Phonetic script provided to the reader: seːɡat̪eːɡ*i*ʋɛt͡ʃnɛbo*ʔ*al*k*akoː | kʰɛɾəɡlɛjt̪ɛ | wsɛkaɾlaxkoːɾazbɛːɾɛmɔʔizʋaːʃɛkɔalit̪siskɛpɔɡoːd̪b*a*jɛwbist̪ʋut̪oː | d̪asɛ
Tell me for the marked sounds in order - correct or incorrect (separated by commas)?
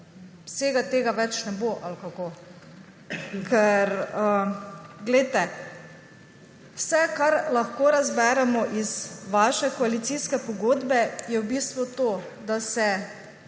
incorrect, correct, correct, incorrect